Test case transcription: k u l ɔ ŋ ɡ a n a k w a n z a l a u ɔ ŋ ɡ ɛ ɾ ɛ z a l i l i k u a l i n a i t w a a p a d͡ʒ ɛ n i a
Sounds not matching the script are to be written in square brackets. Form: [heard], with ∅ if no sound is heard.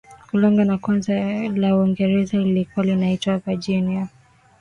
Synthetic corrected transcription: k u l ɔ ŋ ɡ a n a k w a n z a l a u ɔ ŋ ɡ ɛ ɾ ɛ z a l i l i k u a l i n a i t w a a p a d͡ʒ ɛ n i a